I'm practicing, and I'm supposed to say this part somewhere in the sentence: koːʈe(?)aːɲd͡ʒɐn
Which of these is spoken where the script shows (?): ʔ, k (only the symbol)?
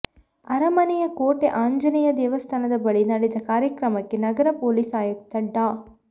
ʔ